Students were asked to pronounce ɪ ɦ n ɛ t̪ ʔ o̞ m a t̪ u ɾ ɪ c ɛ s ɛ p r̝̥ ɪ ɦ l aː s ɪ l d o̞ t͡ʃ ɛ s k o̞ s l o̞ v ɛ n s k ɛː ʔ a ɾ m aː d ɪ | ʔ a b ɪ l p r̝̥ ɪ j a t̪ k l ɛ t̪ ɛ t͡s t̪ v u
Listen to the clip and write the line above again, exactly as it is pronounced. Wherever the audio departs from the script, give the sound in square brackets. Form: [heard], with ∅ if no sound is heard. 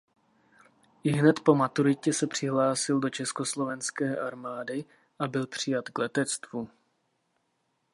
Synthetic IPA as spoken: ɪ ɦ n ɛ t̪ [p] o̞ m a t̪ u ɾ ɪ c ɛ s ɛ p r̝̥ ɪ ɦ l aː s ɪ l d o̞ t͡ʃ ɛ s k o̞ s l o̞ v ɛ n s k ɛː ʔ a ɾ m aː d ɪ | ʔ a b ɪ l p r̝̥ ɪ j a t̪ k l ɛ t̪ ɛ t͡s t̪ v u

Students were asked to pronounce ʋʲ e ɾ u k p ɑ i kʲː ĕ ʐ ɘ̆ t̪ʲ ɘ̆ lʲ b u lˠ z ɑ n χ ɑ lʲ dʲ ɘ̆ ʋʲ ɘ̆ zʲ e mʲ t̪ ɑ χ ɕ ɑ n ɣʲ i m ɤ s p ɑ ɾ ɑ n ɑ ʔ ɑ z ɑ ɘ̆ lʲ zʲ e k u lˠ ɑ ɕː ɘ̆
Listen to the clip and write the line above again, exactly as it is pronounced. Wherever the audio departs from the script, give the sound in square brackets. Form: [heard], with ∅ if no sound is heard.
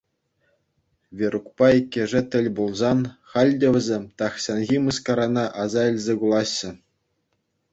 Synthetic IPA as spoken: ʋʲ e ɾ u k p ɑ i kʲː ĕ ʐ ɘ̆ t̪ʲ ɘ̆ lʲ b u lˠ z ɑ n χ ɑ lʲ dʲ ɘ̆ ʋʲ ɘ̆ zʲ e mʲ t̪ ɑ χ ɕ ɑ n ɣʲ i m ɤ s [k] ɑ ɾ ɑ n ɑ ʔ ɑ z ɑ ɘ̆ lʲ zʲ e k u lˠ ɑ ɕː ɘ̆

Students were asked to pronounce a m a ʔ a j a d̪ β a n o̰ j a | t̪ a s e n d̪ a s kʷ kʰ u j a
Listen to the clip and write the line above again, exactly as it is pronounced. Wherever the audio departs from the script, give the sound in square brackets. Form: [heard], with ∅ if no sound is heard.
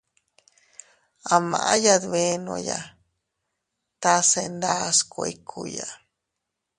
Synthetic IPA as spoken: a m a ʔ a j a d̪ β [e] n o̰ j a | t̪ a s e n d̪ a s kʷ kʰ u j a

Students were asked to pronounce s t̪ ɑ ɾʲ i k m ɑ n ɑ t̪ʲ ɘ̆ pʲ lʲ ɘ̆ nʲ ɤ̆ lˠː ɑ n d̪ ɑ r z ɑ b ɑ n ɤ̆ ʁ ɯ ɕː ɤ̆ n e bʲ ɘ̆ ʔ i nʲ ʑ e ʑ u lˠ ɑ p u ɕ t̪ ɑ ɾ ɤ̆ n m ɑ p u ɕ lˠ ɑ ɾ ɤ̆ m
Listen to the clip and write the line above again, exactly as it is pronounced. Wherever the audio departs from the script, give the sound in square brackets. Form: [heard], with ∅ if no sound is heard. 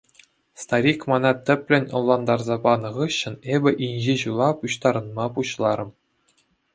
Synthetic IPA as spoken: s t̪ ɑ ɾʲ i k m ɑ n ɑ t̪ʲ ɘ̆ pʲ lʲ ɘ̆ nʲ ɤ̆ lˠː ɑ n d̪ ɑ r z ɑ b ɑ n ɤ̆ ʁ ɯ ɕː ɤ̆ n e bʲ ɘ̆ ʔ i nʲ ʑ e ʑ u lˠ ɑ p u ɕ t̪ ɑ ɾ ɤ̆ n m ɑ p u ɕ lˠ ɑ ɾ ɤ̆ m

